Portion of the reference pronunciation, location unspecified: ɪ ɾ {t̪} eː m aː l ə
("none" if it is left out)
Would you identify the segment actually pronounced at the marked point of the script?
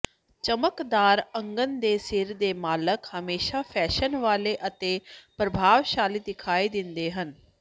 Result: d̪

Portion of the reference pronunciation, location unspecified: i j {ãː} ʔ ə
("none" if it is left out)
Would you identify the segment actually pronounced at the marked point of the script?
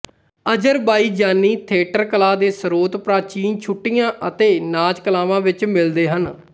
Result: ãː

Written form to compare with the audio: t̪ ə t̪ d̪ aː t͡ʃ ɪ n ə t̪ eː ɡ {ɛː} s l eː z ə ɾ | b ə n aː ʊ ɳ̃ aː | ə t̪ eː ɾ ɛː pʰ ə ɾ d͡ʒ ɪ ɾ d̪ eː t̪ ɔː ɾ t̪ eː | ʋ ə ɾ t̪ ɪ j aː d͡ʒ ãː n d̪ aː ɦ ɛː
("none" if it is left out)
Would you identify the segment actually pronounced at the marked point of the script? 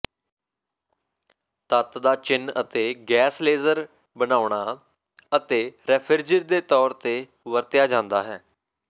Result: ɛː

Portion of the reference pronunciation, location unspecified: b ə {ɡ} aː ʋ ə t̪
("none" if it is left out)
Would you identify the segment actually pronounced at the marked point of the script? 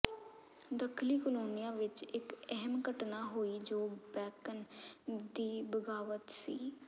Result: ɡ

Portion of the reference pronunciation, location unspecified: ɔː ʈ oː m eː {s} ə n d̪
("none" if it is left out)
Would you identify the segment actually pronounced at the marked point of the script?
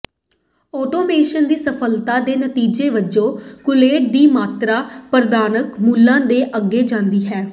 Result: ʃ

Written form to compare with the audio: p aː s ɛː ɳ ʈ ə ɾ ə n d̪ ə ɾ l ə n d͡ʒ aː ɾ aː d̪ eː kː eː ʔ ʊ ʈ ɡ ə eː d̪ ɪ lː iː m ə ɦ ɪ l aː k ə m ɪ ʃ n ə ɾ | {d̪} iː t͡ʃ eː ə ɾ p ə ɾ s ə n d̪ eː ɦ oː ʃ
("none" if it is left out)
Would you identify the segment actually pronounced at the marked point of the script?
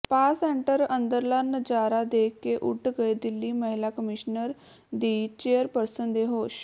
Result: d̪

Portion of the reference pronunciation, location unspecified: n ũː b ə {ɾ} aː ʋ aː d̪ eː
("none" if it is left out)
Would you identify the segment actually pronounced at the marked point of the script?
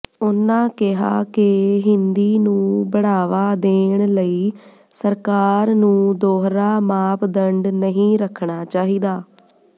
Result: ɽ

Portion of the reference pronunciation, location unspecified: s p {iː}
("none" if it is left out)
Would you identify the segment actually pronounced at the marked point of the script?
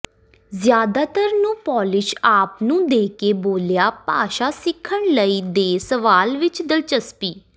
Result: iː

